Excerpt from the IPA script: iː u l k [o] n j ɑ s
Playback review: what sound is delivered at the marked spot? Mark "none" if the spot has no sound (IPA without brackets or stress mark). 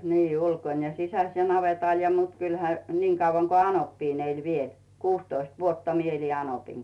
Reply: o